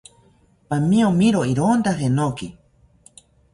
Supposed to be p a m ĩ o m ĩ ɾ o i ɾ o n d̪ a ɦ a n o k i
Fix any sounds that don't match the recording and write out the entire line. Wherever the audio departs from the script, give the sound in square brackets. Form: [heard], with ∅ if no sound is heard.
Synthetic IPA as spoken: p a m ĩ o m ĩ ɾ o i ɾ o n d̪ a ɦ [e] n o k i